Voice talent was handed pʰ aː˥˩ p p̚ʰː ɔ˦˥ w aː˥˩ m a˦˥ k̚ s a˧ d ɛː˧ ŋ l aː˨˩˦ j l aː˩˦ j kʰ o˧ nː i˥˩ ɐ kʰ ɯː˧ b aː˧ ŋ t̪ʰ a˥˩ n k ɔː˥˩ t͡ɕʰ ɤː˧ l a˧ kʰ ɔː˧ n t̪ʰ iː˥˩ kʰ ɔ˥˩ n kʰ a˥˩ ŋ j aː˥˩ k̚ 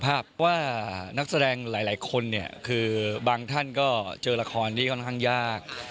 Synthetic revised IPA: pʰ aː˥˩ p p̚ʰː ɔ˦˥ w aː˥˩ n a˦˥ k̚ s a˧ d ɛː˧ ŋ l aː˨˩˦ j l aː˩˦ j kʰ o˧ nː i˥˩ ɐ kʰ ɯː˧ b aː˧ ŋ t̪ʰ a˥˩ n k ɔː˥˩ t͡ɕ ɤː˧ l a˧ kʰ ɔː˧ n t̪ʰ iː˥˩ kʰ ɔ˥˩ n kʰ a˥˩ ŋ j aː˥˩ k̚